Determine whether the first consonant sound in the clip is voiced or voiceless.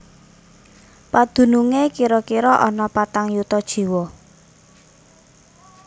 voiceless